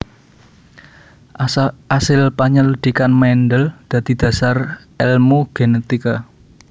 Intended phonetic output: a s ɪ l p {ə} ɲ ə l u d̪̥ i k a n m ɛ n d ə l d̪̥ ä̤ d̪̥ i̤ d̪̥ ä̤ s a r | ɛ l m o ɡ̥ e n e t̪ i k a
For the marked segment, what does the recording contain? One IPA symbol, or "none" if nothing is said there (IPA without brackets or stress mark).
a